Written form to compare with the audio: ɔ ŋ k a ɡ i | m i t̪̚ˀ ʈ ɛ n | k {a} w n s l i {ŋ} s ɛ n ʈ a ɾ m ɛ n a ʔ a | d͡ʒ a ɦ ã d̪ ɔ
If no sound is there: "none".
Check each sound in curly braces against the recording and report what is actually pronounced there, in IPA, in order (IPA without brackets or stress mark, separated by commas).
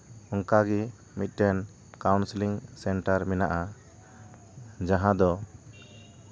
a, ŋ